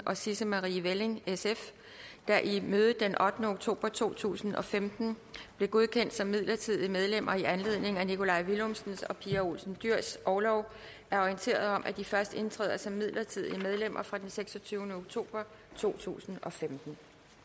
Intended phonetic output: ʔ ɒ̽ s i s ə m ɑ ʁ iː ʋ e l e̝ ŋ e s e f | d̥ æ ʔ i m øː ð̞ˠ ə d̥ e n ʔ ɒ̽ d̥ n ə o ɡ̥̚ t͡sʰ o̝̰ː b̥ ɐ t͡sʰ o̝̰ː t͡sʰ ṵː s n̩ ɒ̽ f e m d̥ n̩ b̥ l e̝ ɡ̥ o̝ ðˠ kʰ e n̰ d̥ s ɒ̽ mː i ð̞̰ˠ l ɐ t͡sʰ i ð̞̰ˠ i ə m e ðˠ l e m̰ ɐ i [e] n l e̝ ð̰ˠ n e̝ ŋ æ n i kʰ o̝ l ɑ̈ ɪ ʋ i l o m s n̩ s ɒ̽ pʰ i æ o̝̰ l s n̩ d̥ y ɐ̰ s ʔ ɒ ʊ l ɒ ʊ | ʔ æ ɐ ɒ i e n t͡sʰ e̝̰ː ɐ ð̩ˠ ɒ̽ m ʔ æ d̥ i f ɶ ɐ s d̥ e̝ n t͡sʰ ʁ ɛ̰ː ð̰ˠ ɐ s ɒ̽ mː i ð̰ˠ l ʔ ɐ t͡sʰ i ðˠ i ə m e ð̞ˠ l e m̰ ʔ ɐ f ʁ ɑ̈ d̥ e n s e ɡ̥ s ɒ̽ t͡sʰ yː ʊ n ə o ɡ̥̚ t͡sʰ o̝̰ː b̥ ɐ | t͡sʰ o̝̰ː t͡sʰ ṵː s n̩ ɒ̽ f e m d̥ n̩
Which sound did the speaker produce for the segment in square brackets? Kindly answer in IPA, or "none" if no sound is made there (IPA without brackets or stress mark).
æ